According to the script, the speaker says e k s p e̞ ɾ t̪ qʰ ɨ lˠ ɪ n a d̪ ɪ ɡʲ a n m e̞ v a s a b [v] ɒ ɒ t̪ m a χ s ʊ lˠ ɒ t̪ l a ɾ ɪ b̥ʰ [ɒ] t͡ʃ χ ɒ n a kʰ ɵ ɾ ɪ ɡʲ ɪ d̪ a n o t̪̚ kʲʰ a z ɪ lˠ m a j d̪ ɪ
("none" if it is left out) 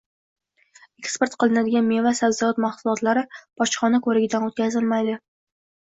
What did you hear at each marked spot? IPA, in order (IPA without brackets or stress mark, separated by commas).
z, ɒ